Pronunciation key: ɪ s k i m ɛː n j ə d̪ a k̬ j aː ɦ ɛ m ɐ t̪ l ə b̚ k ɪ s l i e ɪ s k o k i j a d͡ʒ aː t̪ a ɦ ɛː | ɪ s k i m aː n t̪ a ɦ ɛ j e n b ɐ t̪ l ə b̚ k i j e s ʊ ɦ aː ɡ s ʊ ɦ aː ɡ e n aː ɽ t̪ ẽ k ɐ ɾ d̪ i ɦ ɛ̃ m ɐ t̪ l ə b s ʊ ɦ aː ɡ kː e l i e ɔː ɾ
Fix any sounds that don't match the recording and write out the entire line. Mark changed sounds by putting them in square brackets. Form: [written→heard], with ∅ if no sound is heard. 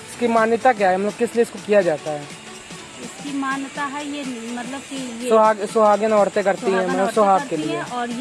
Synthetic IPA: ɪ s k i m [ɛː→aː] n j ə [d̪→t̪] a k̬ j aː ɦ ɛ m ɐ t̪ l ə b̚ k ɪ s l i e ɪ s k o k i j a d͡ʒ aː t̪ a ɦ ɛː | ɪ s k i m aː n t̪ a ɦ ɛ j e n [b→m] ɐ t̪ l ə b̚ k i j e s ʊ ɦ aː ɡ s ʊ ɦ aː ɡ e n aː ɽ t̪ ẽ k ɐ ɾ [d̪→t̪] i ɦ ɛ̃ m ɐ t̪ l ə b s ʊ ɦ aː ɡ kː e l i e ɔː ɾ

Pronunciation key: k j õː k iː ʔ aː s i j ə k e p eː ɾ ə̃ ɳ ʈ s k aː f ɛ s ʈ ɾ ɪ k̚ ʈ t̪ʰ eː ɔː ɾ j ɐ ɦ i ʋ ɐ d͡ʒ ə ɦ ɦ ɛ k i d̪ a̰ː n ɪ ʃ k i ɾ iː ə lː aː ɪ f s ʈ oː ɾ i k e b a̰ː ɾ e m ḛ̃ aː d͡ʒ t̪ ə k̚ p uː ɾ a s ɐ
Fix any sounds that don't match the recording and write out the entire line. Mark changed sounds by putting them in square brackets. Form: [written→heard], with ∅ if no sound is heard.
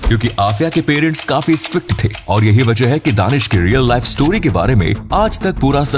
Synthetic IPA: k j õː k [iː→i] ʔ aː [s→f] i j [ə→a] k e p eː ɾ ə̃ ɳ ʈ s k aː f [ɛ→i] s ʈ ɾ ɪ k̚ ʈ t̪ʰ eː ɔː ɾ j ɐ ɦ i ʋ ɐ d͡ʒ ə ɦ ɦ ɛ k i d̪ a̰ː n ɪ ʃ k i ɾ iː ə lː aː ɪ f s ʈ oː ɾ i k e b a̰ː ɾ e m ḛ̃ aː d͡ʒ t̪ [ə→ɐ] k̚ p uː ɾ a s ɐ

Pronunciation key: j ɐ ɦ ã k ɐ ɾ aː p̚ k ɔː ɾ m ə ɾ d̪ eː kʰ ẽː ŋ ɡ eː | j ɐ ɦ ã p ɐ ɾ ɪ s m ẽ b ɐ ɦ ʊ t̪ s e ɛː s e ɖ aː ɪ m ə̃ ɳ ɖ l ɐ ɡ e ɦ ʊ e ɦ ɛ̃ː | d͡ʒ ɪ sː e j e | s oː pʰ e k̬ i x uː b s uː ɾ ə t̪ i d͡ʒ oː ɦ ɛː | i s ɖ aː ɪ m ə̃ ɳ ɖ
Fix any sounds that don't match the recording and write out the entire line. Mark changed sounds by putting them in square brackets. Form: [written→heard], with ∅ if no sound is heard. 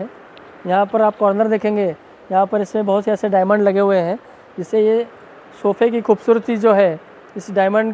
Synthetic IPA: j ɐ ɦ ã [k→p] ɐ ɾ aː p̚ k ɔː ɾ [m→n] ə ɾ d̪ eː kʰ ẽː ŋ ɡ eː | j ɐ ɦ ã p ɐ ɾ ɪ s m ẽ b ɐ ɦ ʊ t̪ s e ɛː s e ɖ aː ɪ m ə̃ ɳ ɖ l ɐ ɡ e ɦ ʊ e ɦ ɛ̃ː | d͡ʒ ɪ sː e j e | s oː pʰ e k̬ i x uː b s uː ɾ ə t̪ i d͡ʒ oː ɦ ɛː | [i→ɪ] s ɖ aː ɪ m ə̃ ɳ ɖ

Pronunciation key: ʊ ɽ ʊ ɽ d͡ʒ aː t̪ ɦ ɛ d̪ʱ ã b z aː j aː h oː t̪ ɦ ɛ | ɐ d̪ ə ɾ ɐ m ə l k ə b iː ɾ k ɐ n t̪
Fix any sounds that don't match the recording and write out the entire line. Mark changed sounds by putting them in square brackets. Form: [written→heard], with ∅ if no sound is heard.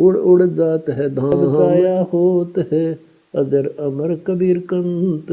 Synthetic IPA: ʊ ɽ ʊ ɽ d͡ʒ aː t̪ ɦ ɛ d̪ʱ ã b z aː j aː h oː t̪ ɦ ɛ | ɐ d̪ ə ɾ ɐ m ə [l→ɾ] k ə b iː ɾ k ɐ n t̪

